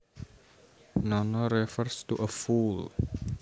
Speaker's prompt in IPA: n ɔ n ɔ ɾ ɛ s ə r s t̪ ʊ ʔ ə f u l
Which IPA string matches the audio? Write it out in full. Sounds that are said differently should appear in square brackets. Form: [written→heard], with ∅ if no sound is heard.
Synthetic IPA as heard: n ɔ n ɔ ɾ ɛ [s→f] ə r s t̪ [ʊ→u] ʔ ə f u l